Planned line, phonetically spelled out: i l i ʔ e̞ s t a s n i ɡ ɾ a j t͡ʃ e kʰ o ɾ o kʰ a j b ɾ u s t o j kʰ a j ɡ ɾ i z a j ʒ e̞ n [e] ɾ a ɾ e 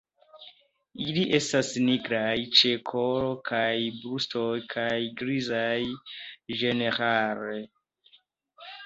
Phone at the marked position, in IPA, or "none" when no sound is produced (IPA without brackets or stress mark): e